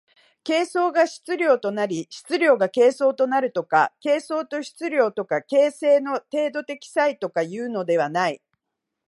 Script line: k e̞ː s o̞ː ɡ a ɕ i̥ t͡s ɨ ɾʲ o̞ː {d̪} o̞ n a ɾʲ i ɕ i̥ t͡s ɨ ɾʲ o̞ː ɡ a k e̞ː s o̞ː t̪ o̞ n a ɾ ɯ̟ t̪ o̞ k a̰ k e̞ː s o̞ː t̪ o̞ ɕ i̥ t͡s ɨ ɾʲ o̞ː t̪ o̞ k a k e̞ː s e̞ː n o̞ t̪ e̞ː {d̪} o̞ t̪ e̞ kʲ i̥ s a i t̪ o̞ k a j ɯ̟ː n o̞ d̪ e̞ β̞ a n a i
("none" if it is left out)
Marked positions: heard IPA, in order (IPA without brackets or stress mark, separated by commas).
t̪, d̪